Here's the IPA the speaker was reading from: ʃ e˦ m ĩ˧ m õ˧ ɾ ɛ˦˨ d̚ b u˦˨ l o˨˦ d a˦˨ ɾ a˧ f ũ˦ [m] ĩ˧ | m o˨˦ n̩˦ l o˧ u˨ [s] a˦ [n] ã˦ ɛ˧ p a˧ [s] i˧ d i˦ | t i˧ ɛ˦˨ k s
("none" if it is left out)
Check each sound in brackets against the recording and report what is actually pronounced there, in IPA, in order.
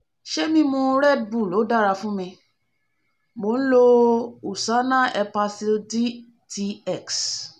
m, s, n, s

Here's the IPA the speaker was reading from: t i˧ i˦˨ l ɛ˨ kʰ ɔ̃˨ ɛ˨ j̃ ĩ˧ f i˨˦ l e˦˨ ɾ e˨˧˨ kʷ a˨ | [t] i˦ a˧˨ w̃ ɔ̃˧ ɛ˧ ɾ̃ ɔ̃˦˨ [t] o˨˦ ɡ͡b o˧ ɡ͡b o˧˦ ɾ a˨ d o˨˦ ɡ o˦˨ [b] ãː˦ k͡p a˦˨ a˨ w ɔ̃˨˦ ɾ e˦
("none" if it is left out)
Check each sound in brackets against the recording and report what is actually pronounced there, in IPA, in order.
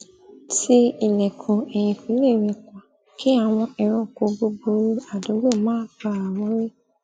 k, k, m

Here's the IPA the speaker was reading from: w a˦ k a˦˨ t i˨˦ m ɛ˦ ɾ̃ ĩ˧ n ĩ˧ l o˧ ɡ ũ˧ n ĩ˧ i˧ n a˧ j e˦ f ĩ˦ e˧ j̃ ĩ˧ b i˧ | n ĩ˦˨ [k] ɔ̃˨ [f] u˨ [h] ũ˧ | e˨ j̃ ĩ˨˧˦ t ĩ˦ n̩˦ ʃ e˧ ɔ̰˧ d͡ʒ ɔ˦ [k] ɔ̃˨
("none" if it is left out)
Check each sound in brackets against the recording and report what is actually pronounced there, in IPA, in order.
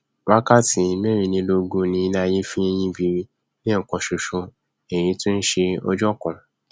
k, ʃ, ʃ, k

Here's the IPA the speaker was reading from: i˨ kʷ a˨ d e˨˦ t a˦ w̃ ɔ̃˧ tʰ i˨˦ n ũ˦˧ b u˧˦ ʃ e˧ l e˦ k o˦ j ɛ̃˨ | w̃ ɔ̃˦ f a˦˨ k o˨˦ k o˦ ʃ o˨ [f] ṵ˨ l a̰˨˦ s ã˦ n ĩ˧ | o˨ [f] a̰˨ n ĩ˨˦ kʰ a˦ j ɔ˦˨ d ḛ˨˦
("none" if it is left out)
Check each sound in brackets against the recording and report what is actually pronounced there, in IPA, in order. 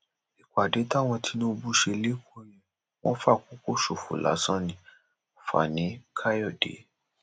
f, f

